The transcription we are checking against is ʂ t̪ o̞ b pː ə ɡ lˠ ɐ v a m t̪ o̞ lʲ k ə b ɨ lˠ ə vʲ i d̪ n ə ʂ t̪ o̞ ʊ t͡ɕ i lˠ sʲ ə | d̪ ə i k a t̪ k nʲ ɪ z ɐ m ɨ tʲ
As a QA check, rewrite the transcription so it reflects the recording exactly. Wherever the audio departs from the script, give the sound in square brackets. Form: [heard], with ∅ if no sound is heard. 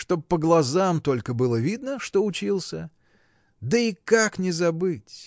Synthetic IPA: ʂ t̪ o̞ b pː ə ɡ lˠ ɐ [z] a m t̪ o̞ lʲ k ə b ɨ lˠ ə vʲ i d̪ n ə ʂ t̪ o̞ ʊ t͡ɕ i lˠ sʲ ə | d̪ ə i k a [∅] k nʲ ɪ z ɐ [b] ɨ tʲ